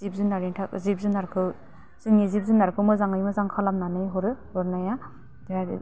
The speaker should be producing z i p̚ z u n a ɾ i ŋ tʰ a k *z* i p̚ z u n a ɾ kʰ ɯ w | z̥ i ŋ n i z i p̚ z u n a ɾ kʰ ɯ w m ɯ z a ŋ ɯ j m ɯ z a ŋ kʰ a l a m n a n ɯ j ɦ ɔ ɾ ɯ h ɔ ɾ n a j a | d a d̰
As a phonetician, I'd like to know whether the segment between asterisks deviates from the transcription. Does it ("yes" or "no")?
no